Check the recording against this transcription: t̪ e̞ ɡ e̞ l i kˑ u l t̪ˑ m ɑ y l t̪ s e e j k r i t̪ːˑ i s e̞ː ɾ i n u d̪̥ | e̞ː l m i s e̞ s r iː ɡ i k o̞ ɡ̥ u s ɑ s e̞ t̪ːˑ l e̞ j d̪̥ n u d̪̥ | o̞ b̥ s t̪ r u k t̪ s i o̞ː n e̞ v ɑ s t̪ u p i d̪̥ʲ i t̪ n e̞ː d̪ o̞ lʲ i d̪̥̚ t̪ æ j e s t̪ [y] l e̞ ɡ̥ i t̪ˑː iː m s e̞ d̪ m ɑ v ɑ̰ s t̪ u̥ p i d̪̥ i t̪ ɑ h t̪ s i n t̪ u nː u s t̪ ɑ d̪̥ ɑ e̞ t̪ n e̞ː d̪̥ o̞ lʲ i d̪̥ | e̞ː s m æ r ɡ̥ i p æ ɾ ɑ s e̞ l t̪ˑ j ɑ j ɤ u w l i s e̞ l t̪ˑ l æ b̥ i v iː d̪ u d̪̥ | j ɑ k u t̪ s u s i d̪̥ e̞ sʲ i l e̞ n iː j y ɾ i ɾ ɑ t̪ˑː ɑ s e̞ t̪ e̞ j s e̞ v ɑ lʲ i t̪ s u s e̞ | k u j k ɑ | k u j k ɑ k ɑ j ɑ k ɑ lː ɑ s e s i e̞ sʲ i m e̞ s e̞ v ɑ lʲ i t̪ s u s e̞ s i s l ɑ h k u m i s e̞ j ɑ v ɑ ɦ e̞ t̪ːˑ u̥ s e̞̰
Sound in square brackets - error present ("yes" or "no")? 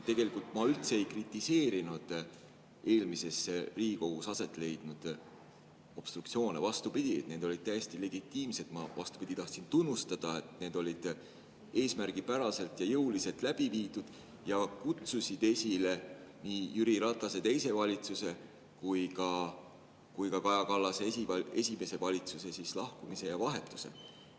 yes